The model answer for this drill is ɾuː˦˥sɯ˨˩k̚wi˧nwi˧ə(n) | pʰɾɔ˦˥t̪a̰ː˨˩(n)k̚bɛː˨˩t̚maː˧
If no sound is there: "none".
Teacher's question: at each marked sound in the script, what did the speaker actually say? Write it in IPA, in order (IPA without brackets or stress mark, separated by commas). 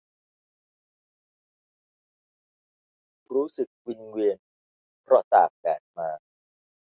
n, none